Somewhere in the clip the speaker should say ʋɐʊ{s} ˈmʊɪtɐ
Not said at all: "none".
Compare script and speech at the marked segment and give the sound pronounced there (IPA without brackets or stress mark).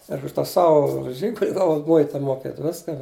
none